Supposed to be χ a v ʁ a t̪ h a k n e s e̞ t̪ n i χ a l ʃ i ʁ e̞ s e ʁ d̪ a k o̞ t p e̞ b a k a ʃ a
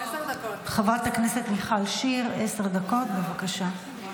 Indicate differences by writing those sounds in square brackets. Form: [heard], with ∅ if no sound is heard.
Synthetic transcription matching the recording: χ a v ʁ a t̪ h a k n e s e̞ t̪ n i χ a l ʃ i ʁ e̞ s e ʁ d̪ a k o̞ t [b] e̞ [v] a k a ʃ a